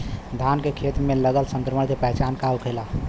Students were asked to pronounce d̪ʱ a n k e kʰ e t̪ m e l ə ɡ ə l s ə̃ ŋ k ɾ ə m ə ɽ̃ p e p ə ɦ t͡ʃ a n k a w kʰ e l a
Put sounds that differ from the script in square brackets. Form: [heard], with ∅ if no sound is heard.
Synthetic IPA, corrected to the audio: d̪ʱ a n k e kʰ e t̪ m e l ə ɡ ə l s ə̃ ŋ k ɾ ə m ə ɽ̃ [k] e p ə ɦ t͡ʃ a n k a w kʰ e l a